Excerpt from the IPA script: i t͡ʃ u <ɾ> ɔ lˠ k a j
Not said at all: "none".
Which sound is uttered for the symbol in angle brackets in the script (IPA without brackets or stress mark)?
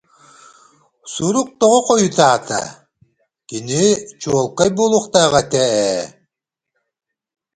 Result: none